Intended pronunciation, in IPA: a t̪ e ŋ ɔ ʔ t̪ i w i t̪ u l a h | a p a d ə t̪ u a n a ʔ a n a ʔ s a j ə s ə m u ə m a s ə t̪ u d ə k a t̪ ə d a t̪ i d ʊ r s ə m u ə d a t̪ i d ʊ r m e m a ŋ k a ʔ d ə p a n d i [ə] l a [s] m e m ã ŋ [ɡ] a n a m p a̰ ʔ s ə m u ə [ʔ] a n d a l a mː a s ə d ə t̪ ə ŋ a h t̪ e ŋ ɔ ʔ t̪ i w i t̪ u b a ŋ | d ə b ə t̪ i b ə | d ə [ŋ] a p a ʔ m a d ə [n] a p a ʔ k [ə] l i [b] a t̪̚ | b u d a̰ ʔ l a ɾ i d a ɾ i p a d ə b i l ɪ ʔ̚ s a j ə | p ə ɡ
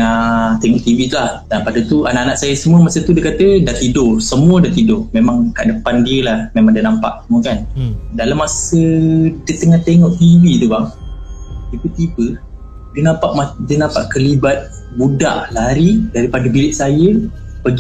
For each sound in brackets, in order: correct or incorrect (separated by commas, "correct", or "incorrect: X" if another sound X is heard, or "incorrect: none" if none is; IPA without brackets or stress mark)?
correct, incorrect: h, incorrect: d, incorrect: k, incorrect: n, correct, correct, correct